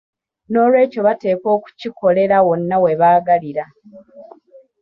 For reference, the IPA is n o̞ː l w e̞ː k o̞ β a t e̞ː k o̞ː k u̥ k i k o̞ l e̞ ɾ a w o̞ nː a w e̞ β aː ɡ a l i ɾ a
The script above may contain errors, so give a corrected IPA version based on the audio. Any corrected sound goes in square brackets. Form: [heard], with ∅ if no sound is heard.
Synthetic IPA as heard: n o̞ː l w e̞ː [c] o̞ β a t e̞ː k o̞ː k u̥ [c] i k o̞ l e̞ ɾ a w o̞ nː a w e̞ β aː ɡ a l i ɾ a